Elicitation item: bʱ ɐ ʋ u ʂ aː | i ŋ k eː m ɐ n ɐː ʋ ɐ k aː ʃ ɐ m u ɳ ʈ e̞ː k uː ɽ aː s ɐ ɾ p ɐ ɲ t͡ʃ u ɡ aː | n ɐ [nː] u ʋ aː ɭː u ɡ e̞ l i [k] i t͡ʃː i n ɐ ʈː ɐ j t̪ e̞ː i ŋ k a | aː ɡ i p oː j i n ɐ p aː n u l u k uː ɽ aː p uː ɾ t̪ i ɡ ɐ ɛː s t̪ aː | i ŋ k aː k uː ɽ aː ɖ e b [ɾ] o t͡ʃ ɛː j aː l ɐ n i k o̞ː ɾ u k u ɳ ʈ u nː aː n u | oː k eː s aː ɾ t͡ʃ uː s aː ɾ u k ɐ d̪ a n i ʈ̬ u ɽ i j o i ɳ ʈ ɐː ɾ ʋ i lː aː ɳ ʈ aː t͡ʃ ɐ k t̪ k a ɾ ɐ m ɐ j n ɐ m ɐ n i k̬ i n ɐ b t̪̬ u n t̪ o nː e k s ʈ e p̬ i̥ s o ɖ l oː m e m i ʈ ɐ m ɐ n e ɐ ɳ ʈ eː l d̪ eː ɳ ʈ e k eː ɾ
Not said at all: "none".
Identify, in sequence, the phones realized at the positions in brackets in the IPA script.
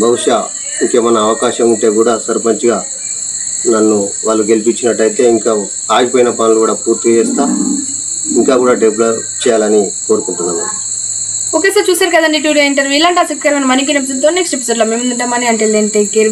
nː, p, l

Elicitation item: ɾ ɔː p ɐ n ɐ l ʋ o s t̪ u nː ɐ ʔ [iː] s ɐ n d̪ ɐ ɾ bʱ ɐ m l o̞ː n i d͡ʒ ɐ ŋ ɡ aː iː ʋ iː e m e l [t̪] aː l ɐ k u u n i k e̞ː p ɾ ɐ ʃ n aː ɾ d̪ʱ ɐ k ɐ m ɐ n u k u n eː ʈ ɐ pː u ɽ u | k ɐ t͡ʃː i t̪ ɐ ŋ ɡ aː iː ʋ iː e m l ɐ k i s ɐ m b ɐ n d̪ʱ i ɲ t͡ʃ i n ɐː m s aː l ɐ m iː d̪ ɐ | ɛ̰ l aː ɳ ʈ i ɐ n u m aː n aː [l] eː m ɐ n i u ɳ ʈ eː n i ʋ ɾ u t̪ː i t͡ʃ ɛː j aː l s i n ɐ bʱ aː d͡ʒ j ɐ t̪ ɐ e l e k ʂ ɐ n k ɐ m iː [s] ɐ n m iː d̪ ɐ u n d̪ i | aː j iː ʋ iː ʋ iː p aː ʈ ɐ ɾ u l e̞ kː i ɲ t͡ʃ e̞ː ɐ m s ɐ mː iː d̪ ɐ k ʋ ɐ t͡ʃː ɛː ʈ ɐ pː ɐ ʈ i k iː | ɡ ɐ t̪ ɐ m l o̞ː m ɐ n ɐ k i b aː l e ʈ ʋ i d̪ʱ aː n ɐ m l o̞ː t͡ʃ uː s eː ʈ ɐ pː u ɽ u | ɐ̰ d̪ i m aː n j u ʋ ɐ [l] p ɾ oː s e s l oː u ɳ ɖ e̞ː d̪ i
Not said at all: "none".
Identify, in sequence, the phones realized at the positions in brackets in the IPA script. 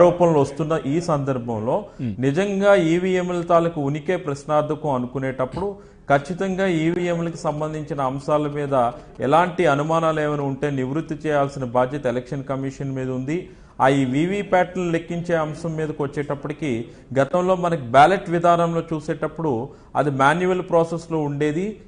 iː, t̪, l, ʂ, l

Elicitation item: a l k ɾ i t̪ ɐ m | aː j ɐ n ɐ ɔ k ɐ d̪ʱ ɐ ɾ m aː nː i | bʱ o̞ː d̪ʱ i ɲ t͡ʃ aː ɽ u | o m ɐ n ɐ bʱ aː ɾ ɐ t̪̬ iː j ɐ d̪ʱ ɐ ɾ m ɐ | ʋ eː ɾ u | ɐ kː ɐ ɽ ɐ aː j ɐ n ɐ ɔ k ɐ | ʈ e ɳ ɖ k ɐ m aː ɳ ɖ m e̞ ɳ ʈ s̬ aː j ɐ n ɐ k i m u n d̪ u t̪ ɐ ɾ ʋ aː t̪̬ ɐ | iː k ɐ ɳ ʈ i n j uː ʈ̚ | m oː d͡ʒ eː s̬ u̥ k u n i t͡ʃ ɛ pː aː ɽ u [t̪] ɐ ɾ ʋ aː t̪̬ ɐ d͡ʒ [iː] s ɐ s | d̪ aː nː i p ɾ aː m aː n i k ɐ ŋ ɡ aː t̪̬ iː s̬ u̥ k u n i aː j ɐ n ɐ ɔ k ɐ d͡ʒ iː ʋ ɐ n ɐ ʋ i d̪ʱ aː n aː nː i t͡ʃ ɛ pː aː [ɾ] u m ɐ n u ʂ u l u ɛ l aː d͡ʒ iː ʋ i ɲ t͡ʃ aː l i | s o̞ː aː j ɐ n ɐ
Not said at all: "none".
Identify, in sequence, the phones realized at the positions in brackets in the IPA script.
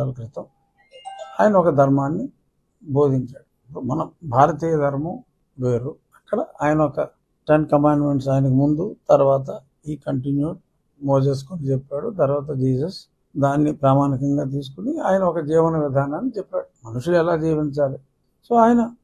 t̪, iː, ɽ

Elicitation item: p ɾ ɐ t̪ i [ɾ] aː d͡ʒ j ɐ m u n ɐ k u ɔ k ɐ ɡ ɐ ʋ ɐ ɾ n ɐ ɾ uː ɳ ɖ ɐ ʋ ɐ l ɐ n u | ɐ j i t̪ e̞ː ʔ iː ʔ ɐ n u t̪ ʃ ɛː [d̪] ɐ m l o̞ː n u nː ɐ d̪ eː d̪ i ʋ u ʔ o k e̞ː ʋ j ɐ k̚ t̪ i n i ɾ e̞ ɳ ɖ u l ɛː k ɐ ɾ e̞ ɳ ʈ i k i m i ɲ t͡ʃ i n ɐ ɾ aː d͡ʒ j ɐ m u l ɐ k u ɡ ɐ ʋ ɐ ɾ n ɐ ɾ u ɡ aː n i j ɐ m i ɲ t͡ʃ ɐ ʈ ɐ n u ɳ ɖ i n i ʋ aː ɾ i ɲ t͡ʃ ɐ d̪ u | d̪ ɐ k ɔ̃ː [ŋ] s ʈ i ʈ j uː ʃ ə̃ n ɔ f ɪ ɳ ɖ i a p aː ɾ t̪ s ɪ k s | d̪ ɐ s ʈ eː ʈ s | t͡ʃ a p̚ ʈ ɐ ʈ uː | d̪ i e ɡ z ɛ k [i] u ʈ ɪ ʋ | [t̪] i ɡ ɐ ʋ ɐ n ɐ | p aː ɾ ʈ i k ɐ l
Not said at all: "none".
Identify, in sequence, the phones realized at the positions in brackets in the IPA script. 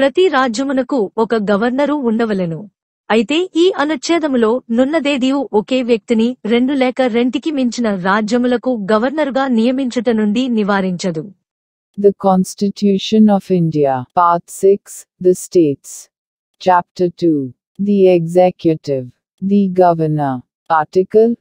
ɾ, d̪, n, j, d̪

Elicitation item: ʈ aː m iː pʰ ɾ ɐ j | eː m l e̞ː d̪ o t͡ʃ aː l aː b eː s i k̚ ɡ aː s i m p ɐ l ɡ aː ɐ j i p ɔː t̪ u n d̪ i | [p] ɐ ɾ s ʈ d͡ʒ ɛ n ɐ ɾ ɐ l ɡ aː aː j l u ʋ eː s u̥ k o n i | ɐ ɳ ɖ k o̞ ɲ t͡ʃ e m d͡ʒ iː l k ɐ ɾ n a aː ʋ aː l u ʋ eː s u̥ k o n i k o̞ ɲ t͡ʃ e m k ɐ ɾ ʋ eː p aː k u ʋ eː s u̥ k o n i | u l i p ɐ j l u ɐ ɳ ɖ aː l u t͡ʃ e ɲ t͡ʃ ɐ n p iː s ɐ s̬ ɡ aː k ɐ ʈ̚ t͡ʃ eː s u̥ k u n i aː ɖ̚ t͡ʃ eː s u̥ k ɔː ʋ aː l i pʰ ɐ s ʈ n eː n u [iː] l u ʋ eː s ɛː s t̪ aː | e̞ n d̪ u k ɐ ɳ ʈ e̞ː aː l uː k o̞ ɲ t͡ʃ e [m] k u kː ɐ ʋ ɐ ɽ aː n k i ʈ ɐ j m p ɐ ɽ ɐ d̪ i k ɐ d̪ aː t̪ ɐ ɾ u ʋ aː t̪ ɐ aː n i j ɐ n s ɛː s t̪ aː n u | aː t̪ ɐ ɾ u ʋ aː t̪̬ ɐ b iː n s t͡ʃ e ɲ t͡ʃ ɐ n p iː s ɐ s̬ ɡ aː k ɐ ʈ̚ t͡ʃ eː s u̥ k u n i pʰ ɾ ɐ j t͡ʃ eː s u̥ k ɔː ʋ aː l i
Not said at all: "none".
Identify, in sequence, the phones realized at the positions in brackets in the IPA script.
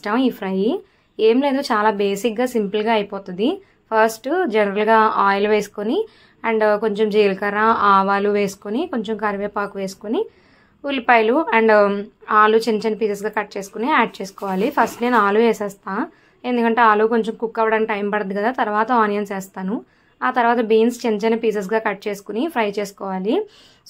pʰ, aː, m

